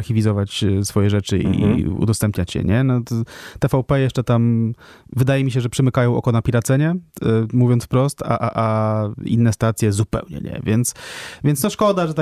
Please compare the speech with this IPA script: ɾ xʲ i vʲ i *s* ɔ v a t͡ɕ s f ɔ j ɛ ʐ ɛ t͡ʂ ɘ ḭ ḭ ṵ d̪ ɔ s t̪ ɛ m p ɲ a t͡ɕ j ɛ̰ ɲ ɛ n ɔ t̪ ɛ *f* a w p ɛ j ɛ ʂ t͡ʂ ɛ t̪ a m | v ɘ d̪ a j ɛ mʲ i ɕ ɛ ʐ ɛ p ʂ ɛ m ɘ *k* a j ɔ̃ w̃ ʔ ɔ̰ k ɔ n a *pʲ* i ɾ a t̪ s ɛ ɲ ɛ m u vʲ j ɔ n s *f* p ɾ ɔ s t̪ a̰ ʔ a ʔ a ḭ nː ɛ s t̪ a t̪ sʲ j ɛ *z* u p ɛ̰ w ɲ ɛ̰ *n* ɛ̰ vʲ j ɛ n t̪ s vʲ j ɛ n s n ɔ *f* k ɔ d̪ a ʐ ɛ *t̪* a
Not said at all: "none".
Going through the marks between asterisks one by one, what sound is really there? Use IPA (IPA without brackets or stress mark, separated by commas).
z, f, k, pʲ, f, z, ɲ, ʂ, t̪